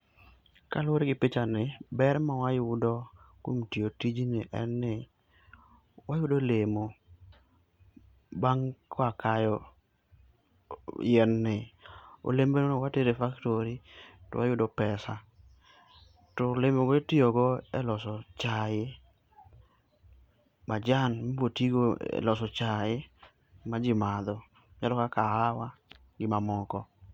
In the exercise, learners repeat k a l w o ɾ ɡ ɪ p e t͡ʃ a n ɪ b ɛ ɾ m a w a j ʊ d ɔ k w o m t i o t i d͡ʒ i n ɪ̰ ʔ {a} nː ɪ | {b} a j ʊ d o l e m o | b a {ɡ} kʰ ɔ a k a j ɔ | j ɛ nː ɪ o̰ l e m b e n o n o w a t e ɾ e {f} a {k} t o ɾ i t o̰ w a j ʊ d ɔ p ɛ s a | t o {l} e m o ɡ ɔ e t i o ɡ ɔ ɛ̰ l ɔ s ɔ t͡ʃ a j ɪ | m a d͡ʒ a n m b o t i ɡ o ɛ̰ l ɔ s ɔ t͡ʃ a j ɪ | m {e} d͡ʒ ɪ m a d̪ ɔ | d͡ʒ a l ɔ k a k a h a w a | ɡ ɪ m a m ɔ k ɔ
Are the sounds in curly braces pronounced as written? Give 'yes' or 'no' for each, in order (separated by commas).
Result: no, no, no, yes, yes, yes, no